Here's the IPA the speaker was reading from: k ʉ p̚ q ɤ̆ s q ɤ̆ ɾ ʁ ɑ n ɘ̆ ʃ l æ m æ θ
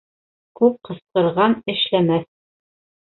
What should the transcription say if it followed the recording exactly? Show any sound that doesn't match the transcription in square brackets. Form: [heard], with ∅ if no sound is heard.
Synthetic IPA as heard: k ʉ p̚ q ɤ̆ s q ɤ̆ ɾ ʁ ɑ n ɘ̆ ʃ l æ m æ θ